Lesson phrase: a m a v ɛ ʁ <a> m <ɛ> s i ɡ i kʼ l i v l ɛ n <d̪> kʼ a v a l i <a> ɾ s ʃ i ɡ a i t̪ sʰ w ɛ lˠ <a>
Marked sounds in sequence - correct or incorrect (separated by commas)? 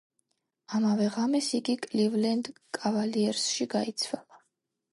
correct, correct, correct, incorrect, correct